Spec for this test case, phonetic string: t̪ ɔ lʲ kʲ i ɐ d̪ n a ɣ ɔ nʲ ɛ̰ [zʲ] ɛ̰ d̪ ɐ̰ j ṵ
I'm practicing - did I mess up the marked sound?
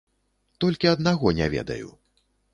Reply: yes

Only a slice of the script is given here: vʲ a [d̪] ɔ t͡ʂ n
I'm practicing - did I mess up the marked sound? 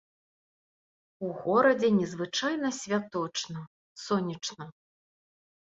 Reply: yes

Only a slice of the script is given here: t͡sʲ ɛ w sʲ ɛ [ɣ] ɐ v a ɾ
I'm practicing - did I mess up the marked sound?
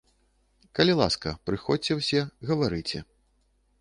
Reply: no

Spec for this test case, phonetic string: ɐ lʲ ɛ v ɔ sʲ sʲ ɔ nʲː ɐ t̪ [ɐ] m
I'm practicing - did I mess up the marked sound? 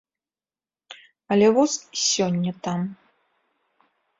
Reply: yes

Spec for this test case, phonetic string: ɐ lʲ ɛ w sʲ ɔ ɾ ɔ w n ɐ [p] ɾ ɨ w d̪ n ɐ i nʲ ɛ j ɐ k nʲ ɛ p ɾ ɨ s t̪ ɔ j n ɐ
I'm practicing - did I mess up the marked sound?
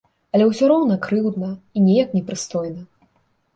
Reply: yes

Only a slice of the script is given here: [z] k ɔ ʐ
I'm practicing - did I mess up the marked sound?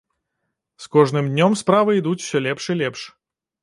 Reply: yes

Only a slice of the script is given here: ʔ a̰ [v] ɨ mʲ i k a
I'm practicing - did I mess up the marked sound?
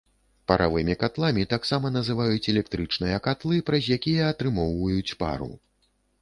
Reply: no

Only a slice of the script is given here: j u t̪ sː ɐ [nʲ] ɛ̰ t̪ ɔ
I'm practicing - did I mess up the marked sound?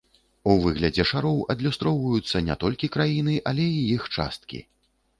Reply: no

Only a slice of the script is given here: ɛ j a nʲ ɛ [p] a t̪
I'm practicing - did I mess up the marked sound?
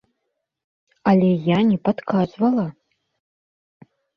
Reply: no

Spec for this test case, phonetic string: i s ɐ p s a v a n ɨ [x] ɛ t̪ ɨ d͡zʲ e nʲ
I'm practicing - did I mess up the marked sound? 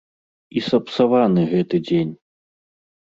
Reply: yes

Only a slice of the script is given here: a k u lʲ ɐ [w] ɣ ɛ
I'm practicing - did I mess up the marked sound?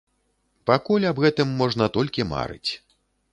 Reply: yes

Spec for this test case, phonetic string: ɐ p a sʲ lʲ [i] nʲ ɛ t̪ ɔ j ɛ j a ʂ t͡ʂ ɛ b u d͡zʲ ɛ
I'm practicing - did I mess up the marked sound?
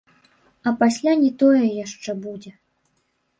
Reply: yes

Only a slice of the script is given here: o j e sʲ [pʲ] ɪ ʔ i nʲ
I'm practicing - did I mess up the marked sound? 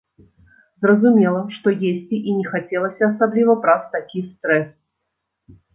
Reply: yes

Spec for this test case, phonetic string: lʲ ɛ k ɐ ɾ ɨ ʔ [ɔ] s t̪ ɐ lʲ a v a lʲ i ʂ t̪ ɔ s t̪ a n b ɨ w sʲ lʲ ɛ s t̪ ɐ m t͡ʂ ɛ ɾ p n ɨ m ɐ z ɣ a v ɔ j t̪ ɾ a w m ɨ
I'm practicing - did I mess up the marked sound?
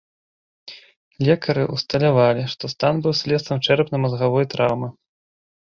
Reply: yes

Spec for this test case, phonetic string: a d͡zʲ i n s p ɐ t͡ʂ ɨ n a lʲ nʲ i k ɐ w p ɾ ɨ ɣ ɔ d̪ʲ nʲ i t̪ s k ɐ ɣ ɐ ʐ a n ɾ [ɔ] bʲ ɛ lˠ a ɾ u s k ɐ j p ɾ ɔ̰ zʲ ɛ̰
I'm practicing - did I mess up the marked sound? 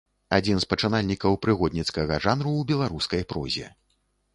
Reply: yes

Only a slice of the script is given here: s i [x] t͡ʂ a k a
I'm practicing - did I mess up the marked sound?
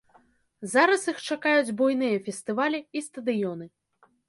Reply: no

